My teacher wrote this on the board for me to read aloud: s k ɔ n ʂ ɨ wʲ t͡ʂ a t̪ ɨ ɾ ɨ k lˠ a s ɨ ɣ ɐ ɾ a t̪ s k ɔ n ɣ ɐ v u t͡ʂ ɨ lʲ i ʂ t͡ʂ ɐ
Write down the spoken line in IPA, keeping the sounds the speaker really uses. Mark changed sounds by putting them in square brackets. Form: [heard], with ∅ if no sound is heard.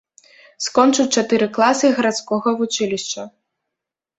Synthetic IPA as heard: s k ɔ n [t͡ʂ] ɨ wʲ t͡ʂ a t̪ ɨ ɾ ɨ k lˠ a s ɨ ɣ ɐ ɾ a t̪ s k ɔ [∅] ɣ ɐ v u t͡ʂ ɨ lʲ i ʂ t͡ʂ ɐ

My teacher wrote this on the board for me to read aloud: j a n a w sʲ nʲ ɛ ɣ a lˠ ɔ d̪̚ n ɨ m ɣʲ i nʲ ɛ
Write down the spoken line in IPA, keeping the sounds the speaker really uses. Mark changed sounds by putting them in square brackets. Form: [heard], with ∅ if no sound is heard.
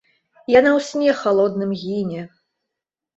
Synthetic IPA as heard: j a n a w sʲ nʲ ɛ [x] a lˠ ɔ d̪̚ n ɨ m ɣʲ i nʲ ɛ

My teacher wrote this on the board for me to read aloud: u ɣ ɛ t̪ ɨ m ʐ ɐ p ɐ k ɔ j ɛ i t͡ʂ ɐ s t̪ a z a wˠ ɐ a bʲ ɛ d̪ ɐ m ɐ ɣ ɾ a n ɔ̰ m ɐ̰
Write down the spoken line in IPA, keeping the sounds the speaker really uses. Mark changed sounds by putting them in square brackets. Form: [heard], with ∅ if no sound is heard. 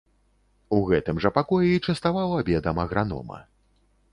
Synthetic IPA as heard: u ɣ ɛ t̪ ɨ m ʐ ɐ p [a] k ɔ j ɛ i t͡ʂ ɐ s t̪ a [v] a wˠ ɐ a bʲ ɛ d̪ ɐ m ɐ ɣ ɾ a n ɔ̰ m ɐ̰

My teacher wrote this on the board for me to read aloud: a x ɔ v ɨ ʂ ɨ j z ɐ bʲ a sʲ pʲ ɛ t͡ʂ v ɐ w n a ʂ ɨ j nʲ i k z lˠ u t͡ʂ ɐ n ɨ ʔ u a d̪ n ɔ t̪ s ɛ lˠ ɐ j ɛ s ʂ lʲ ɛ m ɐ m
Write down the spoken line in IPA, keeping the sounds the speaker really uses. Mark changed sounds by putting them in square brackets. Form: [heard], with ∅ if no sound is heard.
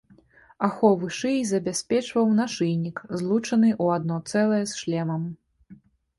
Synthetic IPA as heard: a x ɔ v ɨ ʂ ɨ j z ɐ bʲ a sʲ pʲ ɛ t͡ʂ v ɐ w n a ʂ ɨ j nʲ i k z lˠ u t͡ʂ ɐ n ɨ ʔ u a d̪ n ɔ t̪ s ɛ lˠ ɐ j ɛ s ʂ lʲ ɛ m ɐ m

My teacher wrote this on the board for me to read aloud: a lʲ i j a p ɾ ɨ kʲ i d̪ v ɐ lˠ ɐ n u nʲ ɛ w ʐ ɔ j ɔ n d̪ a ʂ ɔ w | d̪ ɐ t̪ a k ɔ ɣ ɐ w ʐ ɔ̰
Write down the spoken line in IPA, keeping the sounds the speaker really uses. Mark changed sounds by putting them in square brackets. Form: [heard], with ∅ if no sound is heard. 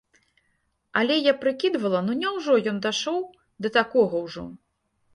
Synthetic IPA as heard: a lʲ [ɛ] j a p ɾ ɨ kʲ i d̪ v ɐ lˠ ɐ n u nʲ ɛ w ʐ ɔ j ɔ n d̪ a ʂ ɔ w | d̪ ɐ t̪ a k ɔ ɣ ɐ w ʐ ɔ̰

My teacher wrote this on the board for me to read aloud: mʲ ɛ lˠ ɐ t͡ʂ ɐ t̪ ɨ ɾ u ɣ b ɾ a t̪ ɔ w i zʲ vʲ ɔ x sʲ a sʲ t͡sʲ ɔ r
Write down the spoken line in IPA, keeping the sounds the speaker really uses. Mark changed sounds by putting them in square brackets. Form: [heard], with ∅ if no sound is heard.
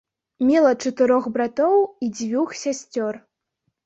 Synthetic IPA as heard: mʲ ɛ lˠ ɐ t͡ʂ ɐ t̪ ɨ ɾ [ɔ] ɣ b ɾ a t̪ ɔ w i [d͡zʲ] vʲ [u] x sʲ a sʲ t͡sʲ ɔ r

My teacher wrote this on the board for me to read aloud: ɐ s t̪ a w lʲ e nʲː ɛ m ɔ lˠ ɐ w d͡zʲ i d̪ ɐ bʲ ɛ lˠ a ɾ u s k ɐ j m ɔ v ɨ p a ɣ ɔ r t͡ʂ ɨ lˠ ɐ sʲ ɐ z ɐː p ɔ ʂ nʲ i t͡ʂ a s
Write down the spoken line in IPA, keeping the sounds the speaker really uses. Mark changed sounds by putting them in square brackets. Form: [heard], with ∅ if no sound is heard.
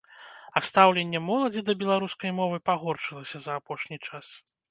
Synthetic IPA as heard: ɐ s t̪ a w lʲ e nʲː ɛ m ɔ lˠ ɐ [∅] d͡zʲ i d̪ ɐ bʲ ɛ lˠ a ɾ u s k ɐ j m ɔ v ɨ p a ɣ ɔ r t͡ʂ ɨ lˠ ɐ sʲ ɐ z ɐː p ɔ ʂ nʲ i t͡ʂ a s

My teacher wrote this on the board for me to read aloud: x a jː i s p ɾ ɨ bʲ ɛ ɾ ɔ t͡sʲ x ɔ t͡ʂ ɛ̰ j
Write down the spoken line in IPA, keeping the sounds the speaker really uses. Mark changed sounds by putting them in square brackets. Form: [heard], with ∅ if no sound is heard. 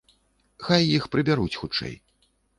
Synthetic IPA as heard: x a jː i [x] p ɾ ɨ bʲ [a] ɾ [u] t͡sʲ x [u] t͡ʂ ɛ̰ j

